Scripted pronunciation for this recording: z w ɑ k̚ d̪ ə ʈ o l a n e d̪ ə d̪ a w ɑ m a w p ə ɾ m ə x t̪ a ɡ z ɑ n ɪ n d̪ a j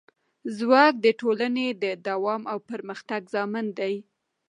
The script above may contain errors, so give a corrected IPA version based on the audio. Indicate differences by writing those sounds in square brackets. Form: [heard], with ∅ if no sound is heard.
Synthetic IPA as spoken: z w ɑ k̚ d̪ ə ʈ o l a n e d̪ ə d̪ a w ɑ m a w p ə ɾ m ə x t̪ a ɡ z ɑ [m] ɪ n d̪ a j

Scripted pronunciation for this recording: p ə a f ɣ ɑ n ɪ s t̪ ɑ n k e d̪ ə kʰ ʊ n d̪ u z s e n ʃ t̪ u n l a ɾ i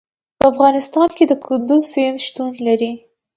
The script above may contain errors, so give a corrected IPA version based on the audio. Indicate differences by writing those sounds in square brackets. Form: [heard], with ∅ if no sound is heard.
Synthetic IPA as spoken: p ə a f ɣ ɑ n ɪ s t̪ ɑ n k e d̪ ə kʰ ʊ n d̪ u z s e n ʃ t̪ u n l a ɾ i

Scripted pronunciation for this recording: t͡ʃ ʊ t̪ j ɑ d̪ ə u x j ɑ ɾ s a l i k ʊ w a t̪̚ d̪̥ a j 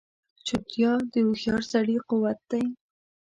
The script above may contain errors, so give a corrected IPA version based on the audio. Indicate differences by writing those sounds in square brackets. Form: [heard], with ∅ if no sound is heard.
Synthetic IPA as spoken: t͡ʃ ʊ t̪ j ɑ d̪ ə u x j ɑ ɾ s a [ɽ] i [q] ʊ w a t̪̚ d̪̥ a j

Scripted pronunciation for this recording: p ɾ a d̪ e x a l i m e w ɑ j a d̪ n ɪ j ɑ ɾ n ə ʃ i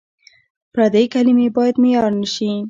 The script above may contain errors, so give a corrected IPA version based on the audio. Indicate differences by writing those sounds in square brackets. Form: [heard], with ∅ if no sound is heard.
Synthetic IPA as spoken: p ɾ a d̪ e [k] a l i m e [b] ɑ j a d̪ [m] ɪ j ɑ ɾ n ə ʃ i

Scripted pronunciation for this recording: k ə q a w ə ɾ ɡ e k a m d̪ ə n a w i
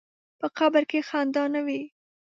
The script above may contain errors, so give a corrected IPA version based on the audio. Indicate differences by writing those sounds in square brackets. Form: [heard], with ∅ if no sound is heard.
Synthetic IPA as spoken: [p] ə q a [b] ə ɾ [k] e [x] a [n] d̪ [ɑ] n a w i

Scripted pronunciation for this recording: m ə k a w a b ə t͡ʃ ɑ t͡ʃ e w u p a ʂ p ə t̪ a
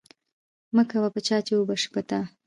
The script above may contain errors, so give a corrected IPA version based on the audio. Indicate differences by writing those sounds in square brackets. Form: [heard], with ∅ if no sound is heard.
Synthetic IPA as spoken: m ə k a w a [p] ə t͡ʃ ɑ t͡ʃ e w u [b] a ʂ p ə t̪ a

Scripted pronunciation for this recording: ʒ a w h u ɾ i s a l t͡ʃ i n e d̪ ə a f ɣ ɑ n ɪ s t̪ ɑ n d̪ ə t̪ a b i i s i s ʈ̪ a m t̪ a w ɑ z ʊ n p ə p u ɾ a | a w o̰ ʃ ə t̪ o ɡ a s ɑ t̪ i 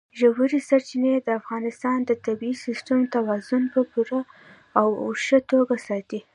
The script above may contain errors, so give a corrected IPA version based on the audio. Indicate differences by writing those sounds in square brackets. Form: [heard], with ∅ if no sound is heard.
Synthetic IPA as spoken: ʒ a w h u ɾ i s a [ɾ] t͡ʃ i n e d̪ ə a f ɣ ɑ n ɪ s t̪ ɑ n d̪ ə t̪ a b i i s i s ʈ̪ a m t̪ a w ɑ z ʊ n p ə p u ɾ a | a w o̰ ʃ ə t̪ o ɡ a s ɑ t̪ i

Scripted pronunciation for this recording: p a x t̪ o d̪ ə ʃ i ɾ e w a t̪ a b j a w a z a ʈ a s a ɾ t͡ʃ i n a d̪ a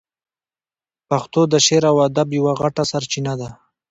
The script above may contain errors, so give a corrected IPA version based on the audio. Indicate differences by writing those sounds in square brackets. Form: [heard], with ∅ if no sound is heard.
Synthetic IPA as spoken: p a x t̪ o d̪ ə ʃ [e] ɾ [a] w a [d̪] a b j a w a [ɣ] a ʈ a s a ɾ t͡ʃ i n a d̪ a

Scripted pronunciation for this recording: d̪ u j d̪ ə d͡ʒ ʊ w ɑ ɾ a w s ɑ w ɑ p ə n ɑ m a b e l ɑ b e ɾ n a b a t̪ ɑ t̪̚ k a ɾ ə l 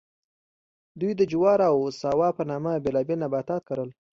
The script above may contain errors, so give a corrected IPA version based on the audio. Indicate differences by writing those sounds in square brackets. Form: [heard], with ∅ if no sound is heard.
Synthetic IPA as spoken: d̪ u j d̪ ə d͡ʒ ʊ w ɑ ɾ a w s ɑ w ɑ p ə n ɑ m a b e l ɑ b e [l] n a b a t̪ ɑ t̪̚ k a ɾ ə l

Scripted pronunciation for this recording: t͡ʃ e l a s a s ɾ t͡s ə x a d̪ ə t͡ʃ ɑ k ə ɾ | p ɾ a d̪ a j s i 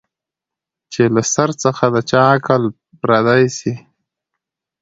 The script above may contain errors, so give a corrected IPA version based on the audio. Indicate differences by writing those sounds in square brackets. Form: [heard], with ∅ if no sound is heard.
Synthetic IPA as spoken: t͡ʃ e l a s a [∅] ɾ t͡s ə x a d̪ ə t͡ʃ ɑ k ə [l] | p ɾ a d̪ a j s i

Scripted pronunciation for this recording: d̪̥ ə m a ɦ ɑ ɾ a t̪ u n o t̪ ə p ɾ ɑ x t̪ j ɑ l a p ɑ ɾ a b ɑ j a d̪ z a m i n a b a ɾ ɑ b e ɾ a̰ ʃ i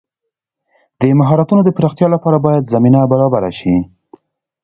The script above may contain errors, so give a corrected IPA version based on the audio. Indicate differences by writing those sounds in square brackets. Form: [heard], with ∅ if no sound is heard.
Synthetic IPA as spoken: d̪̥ ə m a ɦ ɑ ɾ a t̪ u n o [d̪] ə p ɾ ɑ x t̪ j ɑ l a p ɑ ɾ a b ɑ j a d̪ z a m i n a b a ɾ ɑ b [a] ɾ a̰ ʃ i

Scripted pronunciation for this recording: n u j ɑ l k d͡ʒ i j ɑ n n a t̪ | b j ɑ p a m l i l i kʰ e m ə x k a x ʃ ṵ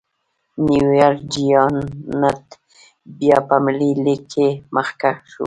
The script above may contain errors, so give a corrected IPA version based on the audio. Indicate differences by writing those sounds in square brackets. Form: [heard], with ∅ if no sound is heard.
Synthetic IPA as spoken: n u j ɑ [ɾ] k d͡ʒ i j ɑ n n a t̪ | b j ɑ p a m l i l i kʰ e m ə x k a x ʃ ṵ

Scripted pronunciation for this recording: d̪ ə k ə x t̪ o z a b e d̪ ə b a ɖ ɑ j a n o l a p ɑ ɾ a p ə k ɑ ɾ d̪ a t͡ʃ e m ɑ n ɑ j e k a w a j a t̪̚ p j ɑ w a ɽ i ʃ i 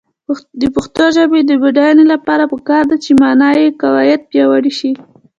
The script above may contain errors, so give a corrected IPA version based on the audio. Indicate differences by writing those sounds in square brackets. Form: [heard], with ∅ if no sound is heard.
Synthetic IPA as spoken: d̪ ə [p] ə x t̪ o [ʒ] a b e d̪ ə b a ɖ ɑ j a n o l a p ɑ ɾ a p ə k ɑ ɾ d̪ a t͡ʃ e m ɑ n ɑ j e k a w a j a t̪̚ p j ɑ w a ɽ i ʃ i

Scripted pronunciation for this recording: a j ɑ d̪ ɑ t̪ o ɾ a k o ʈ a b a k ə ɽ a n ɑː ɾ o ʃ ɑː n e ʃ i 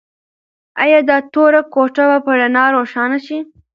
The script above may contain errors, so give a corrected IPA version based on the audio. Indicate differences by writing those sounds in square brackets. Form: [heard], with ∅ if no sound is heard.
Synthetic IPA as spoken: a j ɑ d̪ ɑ t̪ o ɾ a k o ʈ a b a [p] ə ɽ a n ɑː ɾ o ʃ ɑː n [a] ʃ i

